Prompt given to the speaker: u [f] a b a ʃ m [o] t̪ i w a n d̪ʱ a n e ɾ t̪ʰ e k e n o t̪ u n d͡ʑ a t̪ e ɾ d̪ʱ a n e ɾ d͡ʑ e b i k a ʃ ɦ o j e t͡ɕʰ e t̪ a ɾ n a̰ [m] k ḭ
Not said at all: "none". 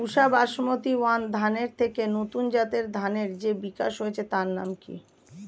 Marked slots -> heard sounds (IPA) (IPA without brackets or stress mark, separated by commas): ʃ, o, m